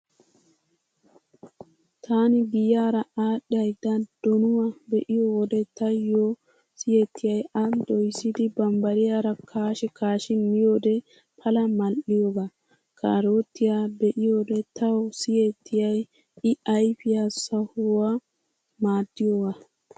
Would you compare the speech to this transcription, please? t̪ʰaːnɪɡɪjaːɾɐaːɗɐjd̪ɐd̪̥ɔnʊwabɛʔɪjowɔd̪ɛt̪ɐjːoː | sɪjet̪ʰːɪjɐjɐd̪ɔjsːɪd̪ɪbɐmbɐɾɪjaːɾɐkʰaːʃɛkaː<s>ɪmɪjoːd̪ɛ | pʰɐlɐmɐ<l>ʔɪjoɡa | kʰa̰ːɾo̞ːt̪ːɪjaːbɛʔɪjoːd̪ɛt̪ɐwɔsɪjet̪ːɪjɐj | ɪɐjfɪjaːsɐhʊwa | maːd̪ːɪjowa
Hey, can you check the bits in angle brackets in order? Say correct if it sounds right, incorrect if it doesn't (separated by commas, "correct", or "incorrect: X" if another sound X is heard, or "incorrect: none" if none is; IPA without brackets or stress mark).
incorrect: ʃ, correct